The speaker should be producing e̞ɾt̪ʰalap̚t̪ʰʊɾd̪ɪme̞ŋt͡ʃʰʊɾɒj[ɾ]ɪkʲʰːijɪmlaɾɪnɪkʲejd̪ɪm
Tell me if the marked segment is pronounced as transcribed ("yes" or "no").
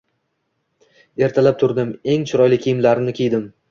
no